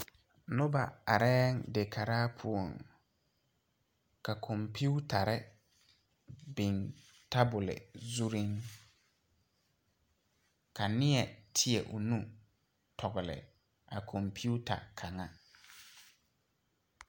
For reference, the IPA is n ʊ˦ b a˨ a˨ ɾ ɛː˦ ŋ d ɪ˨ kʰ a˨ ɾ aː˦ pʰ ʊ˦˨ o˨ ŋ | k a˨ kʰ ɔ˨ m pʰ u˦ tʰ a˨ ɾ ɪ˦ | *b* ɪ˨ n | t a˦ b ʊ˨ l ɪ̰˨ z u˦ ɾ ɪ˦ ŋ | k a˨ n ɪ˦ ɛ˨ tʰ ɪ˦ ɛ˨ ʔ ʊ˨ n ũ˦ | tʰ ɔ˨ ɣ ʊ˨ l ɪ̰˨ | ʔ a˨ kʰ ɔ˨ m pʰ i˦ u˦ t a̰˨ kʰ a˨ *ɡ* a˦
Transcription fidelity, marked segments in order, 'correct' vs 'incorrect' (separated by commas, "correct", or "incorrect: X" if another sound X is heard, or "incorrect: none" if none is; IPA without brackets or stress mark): correct, incorrect: ŋ